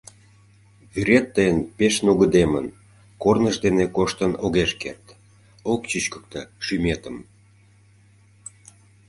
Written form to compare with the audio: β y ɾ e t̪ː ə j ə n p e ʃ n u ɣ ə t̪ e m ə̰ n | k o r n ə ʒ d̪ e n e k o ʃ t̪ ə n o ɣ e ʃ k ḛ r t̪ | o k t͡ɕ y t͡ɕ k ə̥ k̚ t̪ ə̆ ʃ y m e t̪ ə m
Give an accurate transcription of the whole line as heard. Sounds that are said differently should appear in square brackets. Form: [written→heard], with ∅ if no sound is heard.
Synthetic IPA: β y ɾ e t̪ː ə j ə n p e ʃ n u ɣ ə [t̪→d̪] e m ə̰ n | k o r n ə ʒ d̪ e n e k o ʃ t̪ ə n o ɣ e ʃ k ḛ r t̪ | o k t͡ɕ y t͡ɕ k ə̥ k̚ t̪ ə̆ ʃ y m e t̪ ə m